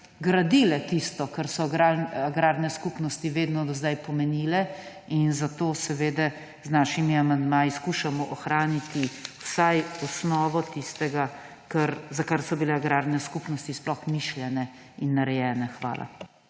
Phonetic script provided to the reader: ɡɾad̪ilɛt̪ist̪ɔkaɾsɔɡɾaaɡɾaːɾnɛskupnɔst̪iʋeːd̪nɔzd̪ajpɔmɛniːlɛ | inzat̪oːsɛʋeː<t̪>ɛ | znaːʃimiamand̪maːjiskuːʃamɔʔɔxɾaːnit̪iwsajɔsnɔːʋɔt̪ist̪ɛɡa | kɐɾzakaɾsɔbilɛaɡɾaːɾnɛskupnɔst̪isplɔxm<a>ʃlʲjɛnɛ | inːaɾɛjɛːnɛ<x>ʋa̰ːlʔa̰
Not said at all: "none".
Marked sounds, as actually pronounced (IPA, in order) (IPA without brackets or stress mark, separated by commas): d̪, i, x